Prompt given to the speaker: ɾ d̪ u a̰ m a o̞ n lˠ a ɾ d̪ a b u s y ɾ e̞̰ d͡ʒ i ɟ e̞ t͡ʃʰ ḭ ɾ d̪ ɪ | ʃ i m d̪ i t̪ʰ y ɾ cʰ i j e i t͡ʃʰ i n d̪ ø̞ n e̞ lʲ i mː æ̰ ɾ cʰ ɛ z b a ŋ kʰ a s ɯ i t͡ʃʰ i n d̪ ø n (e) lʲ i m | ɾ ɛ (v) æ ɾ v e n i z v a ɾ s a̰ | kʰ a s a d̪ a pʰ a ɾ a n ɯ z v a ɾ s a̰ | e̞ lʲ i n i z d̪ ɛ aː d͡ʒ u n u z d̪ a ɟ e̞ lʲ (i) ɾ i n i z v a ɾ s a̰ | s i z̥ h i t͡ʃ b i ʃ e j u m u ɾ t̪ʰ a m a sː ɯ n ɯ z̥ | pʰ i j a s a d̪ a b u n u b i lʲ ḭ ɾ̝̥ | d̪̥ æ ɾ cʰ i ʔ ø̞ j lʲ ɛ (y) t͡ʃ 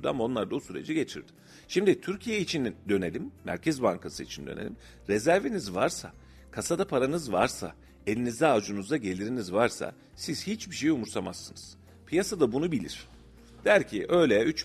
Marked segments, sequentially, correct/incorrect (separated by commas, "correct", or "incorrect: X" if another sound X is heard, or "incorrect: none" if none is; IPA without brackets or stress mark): correct, incorrect: z, correct, correct